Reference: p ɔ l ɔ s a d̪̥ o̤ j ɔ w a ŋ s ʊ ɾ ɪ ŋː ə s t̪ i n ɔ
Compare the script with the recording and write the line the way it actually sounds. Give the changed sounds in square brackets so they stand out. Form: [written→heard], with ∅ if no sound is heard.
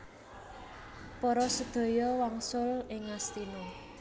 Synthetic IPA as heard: p ɔ [l→ɾ] ɔ s [a→ə] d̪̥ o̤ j ɔ w a ŋ s ʊ [ɾ→l] ɪ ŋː [ə→a] s t̪ i n ɔ